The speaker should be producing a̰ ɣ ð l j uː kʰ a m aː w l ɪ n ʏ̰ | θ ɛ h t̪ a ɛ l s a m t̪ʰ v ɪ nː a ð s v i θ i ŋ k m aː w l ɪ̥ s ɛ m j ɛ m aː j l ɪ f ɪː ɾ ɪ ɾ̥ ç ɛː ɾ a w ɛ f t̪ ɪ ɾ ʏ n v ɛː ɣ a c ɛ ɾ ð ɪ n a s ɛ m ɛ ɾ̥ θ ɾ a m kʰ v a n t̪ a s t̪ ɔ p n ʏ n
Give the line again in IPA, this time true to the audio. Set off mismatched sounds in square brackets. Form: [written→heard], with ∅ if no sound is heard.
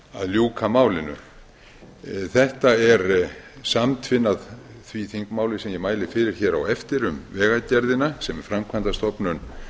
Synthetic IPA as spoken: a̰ [ɣ→∅] ð l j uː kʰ a m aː w l ɪ n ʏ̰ | θ ɛ h t̪ a ɛ [l→ɾ] s a m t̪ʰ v ɪ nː a ð [s→θ] v i θ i ŋ k m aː w l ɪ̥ s ɛ m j ɛ m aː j l ɪ f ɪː ɾ ɪ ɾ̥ ç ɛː ɾ a w ɛ f t̪ ɪ ɾ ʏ [n→m] v ɛː ɣ a c ɛ ɾ ð ɪ n a s ɛ m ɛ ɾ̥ [θ→f] ɾ a m kʰ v a n t̪ a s t̪ ɔ p n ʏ n